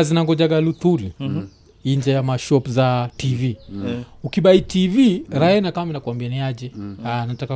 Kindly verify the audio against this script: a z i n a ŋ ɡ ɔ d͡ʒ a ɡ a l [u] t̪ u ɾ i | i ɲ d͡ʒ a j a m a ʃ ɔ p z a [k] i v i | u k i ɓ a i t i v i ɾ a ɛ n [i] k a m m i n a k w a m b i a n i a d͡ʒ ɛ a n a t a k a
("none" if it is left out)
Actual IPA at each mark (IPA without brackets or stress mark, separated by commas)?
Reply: u, t, a